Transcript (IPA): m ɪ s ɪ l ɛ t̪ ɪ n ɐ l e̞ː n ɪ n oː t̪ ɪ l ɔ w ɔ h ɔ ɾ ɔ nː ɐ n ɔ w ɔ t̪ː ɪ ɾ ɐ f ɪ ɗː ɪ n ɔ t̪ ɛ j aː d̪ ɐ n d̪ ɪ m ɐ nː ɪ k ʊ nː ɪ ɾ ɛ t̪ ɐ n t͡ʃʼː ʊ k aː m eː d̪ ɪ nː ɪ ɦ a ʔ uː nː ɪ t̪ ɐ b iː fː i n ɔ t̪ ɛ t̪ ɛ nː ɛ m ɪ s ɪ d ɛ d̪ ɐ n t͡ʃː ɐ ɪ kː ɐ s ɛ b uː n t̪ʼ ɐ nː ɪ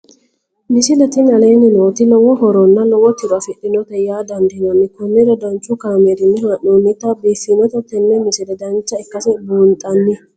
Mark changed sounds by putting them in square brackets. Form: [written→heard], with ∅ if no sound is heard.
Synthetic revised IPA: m ɪ s ɪ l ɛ t̪ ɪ n ɐ l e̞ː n ɪ n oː t̪ ɪ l ɔ w ɔ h ɔ ɾ ɔ nː ɐ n ɔ w ɔ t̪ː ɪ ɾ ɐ f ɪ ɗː ɪ n ɔ t̪ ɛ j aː d̪ ɐ n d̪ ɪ [m→n] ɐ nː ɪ k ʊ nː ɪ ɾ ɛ [t̪→d̪] ɐ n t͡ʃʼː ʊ k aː m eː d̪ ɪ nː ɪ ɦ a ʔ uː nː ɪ t̪ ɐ b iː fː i n ɔ t̪ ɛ t̪ ɛ nː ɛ m ɪ s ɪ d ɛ d̪ ɐ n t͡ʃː ɐ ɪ kː ɐ s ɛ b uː n t̪ʼ ɐ nː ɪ